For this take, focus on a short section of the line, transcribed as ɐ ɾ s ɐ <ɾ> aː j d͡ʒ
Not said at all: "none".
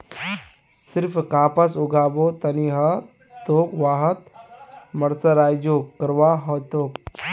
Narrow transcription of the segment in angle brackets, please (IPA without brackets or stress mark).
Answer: ɾ